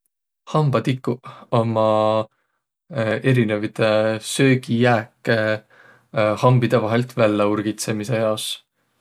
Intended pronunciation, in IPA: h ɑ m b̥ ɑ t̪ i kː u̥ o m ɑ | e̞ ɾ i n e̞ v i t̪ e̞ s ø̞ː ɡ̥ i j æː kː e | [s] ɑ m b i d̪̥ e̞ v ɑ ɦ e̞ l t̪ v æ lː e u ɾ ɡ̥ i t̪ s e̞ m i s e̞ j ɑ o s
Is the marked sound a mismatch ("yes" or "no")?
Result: yes